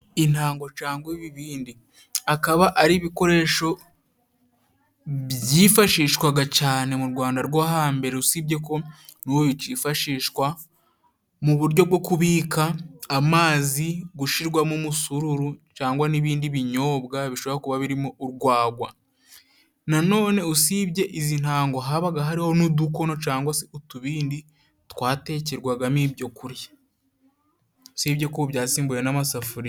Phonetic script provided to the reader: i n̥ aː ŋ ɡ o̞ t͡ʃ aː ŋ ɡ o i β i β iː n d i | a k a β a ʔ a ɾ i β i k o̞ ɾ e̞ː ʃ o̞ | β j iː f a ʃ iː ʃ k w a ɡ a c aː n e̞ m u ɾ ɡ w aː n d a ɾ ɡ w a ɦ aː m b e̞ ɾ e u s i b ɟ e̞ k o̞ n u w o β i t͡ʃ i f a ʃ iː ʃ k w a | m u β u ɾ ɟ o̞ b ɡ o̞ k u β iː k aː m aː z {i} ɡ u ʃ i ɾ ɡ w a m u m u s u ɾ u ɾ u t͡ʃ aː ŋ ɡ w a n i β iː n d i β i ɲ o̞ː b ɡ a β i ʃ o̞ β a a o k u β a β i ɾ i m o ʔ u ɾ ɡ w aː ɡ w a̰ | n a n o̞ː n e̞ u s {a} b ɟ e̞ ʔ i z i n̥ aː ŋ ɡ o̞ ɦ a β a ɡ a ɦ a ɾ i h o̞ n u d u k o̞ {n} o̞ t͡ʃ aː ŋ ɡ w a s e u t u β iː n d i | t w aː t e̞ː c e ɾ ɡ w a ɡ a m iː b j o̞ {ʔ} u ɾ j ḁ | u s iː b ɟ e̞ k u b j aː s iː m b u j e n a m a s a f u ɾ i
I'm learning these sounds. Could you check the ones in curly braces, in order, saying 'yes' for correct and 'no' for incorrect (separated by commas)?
yes, no, yes, no